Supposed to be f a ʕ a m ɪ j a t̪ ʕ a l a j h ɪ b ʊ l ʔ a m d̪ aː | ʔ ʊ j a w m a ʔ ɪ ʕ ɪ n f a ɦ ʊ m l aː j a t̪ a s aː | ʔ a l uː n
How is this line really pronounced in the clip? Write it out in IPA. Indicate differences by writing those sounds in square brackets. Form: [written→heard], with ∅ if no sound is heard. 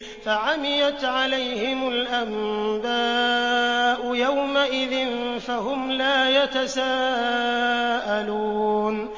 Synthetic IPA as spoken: f a ʕ a m ɪ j a t̪ ʕ a l a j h ɪ [b→m] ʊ l ʔ a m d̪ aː | ʔ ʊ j a w m a ʔ ɪ [ʕ→ð] ɪ n f a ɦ ʊ m l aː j a t̪ a s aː | ʔ a l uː n